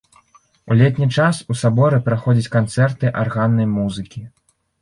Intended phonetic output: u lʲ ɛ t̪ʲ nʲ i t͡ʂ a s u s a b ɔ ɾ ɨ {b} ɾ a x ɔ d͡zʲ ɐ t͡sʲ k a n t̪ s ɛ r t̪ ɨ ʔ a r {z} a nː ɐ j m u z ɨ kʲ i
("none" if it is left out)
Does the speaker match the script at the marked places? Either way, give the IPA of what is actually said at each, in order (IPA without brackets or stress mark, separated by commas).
p, ɣ